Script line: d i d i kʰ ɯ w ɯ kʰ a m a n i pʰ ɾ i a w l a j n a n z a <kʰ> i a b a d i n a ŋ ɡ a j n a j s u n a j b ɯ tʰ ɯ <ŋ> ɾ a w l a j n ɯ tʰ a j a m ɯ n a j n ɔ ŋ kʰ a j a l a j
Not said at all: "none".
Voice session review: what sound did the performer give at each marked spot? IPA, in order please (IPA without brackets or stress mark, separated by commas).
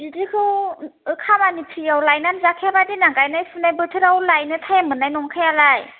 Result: kʰ, none